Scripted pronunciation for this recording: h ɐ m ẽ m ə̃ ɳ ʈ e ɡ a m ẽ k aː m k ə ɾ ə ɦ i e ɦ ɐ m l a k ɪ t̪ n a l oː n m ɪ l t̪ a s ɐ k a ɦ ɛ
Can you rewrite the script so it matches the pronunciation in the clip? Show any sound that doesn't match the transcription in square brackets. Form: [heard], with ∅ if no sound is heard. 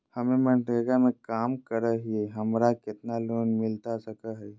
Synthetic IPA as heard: h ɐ m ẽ m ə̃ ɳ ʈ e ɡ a m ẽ k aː m k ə ɾ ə ɦ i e ɦ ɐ m [ɾ] a k ɪ t̪ n a l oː n m ɪ l t̪ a s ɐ k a ɦ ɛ